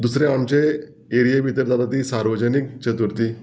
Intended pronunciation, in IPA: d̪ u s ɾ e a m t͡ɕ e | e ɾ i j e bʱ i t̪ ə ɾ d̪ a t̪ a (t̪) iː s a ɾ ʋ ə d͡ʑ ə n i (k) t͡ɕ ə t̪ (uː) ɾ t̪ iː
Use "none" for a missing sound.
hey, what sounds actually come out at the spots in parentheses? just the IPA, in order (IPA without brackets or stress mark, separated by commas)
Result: t̪, k, u